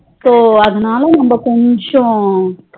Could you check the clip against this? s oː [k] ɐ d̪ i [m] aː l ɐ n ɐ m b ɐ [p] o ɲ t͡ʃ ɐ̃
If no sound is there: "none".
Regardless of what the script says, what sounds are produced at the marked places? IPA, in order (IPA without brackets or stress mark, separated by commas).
none, n, k